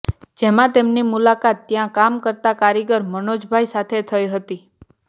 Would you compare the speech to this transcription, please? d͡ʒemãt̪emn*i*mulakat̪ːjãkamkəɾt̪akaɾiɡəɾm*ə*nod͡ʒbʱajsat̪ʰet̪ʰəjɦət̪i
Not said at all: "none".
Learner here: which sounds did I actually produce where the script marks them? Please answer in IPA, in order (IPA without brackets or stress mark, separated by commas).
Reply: i, ə